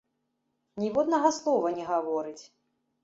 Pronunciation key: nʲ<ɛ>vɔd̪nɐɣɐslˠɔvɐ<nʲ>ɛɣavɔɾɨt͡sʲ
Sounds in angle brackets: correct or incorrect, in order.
incorrect: i, correct

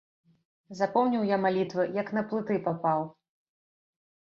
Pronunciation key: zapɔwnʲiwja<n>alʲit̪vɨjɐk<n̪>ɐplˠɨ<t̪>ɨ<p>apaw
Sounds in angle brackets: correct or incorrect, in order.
incorrect: m, correct, correct, correct

